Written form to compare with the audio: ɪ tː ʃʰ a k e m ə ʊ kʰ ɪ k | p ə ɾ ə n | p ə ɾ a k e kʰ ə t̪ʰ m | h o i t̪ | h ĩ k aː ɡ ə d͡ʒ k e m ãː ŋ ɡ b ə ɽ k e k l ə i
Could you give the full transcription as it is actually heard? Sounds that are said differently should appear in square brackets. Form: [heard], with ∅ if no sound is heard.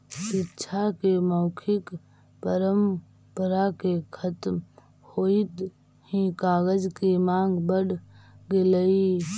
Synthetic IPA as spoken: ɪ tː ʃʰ a k e m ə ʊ kʰ ɪ k | p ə ɾ ə [m] | p ə ɾ a k e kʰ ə [t̪] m | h o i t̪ | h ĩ k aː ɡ ə d͡ʒ k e m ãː ŋ ɡ b ə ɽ [ɡ] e [∅] l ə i